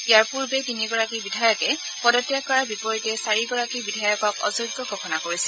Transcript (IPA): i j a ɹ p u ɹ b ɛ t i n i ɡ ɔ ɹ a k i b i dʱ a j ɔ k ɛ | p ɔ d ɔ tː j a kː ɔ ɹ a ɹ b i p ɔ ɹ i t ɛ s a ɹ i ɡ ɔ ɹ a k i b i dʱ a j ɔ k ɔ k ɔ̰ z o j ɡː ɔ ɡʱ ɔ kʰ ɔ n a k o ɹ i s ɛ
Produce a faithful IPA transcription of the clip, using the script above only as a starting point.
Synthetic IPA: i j a ɹ p u ɹ b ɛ t i n i ɡ ɔ ɹ a k i b i dʱ a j ɔ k ɛ | p ɔ d ɔ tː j a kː ɔ ɹ a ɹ b i p ɔ ɹ i t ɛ s a ɹ i ɡ ɔ ɹ a k i b i dʱ a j ɔ k ɔ k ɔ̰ z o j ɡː ɔ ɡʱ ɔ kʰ ɔ n a k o ɹ i s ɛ